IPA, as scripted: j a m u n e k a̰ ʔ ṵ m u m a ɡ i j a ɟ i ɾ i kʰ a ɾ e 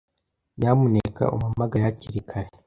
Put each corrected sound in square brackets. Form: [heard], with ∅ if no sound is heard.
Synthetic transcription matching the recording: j a m u n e k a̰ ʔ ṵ m u m a ɡ [a] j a [c] i ɾ i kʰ a ɾ e